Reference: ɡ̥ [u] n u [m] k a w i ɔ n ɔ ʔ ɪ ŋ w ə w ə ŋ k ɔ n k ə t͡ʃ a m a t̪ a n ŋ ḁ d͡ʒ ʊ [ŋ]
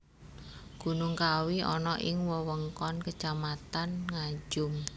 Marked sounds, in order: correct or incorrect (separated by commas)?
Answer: correct, incorrect, incorrect